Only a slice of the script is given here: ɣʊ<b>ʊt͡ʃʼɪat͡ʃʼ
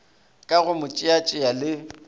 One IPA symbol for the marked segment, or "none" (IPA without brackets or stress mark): m